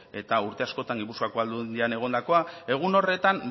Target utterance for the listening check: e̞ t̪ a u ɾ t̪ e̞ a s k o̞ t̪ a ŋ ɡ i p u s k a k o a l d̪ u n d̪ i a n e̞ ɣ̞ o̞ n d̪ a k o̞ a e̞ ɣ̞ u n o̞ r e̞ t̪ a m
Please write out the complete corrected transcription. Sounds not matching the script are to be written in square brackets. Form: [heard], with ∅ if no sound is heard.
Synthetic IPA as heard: e̞ t̪ a u ɾ t̪ e̞ a s k o̞ t̪ a ŋ ɡ i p u s k a k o a l d̪ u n d̪ i a n e̞ ɣ̞ o̞ n d̪ a k o̞ a e̞ ɣ̞ u n o̞ r e̞ t̪ a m